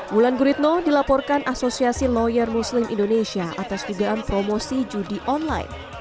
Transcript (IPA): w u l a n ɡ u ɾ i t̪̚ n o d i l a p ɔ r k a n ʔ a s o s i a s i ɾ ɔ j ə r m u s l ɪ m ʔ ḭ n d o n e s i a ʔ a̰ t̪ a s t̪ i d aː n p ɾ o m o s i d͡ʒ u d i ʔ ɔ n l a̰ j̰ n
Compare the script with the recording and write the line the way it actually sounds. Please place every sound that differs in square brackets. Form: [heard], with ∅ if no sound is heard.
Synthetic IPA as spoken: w u l a n ɡ u ɾ i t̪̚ n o d i l a p ɔ r k a n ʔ a s o s i a s i [l] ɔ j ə r m u s l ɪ m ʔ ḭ n d o n e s i a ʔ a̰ t̪ a s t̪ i d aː n p ɾ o m o s i d͡ʒ u d i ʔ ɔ n l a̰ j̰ n